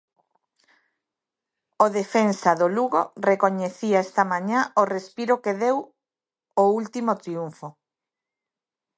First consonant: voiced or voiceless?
voiced